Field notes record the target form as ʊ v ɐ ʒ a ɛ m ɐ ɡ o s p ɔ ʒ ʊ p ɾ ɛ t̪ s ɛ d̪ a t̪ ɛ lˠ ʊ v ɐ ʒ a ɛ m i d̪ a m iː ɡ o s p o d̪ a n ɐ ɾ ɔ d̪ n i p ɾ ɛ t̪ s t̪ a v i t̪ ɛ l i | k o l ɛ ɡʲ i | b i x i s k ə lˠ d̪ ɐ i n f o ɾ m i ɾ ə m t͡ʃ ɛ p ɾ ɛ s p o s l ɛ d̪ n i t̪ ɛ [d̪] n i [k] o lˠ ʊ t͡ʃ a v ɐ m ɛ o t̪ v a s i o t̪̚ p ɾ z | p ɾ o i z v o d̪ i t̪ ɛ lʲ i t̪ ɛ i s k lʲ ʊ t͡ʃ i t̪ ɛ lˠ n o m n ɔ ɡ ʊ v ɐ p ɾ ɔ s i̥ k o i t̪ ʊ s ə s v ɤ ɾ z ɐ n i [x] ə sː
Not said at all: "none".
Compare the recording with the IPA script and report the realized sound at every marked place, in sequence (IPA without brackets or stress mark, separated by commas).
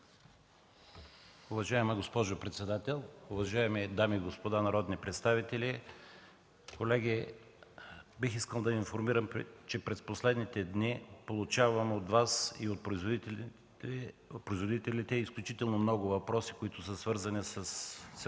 d̪, p, s